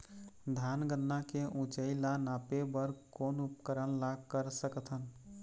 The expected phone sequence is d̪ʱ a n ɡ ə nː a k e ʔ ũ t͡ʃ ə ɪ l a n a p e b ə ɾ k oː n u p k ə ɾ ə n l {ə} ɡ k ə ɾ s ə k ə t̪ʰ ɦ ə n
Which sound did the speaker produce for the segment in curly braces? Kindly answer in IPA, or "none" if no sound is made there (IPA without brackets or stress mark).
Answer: a